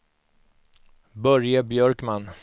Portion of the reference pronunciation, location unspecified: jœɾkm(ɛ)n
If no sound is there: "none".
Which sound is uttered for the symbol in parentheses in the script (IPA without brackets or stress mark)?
a